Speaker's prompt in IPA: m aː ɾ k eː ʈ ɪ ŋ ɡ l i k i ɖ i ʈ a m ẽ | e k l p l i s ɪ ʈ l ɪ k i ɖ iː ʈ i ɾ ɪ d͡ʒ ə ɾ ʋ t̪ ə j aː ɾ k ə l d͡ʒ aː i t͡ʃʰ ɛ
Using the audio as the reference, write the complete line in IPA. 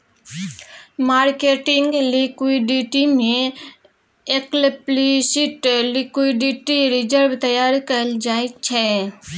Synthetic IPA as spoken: m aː ɾ k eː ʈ ɪ ŋ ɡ l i k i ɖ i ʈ i m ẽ | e k l p l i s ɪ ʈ l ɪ k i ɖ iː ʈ i ɾ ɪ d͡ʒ ə ɾ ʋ t̪ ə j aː ɾ k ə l d͡ʒ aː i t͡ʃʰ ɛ